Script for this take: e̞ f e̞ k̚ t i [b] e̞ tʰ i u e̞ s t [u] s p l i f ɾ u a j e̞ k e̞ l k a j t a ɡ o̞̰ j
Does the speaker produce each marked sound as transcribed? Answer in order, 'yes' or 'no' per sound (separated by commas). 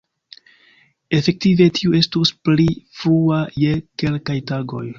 no, yes